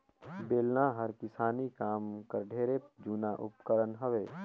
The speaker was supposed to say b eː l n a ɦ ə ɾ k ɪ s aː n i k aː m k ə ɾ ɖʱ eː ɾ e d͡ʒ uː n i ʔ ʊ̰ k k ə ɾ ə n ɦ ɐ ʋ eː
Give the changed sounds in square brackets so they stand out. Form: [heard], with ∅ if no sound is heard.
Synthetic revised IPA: b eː l n a ɦ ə ɾ k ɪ s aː n i k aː m k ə ɾ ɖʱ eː ɾ e d͡ʒ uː n [a] ʔ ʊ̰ [p] k ə ɾ ə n ɦ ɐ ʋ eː